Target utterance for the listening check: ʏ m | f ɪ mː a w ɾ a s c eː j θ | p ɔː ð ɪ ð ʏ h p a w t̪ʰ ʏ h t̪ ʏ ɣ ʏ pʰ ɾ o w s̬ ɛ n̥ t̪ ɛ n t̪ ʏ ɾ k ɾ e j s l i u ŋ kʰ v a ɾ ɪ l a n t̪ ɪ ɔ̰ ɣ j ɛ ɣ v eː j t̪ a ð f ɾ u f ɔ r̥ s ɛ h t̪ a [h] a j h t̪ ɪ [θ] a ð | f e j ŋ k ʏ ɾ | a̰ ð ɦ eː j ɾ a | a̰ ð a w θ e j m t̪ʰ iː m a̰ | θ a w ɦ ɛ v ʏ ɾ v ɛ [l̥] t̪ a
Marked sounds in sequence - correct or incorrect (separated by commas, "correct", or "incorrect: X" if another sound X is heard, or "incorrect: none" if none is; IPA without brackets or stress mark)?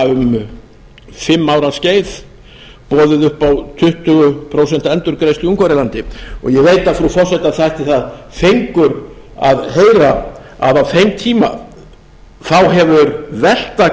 incorrect: θ, correct, correct